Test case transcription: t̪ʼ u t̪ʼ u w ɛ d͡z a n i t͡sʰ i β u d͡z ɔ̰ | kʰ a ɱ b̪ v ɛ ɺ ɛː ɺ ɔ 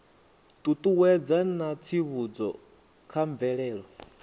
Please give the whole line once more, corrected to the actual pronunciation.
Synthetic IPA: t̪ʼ u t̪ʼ u w ɛ d͡z a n a t͡sʰ i β u d͡z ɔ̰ | kʰ a ɱ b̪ v ɛ ɺ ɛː ɺ ɔ